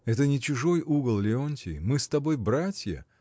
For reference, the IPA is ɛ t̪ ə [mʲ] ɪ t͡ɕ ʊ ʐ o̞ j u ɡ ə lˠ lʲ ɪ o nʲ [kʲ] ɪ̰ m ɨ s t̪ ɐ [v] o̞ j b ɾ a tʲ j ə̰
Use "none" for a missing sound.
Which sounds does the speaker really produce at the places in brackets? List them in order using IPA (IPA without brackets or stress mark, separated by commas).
nʲ, tʲ, b